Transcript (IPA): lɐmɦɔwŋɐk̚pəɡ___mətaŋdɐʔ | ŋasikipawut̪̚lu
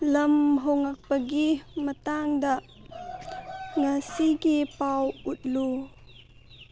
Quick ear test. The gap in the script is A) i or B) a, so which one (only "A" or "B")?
A